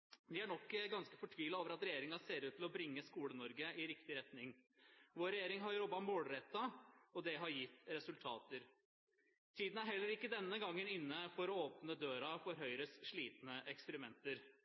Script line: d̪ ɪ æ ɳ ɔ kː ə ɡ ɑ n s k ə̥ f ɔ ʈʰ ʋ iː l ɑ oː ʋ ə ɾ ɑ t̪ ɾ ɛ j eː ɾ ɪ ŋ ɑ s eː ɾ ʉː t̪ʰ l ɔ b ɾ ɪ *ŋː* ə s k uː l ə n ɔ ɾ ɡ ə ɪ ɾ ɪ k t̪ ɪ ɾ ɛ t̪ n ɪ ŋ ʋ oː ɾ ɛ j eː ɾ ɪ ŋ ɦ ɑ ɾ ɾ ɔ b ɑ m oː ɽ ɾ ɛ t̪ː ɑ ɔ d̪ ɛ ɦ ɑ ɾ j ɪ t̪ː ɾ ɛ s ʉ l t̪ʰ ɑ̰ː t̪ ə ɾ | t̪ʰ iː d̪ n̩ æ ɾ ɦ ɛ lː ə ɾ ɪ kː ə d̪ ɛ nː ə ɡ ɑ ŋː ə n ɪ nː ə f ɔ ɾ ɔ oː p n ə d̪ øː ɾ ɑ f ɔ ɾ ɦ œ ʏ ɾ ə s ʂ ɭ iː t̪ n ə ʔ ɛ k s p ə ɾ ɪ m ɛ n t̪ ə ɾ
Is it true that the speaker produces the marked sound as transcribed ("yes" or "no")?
yes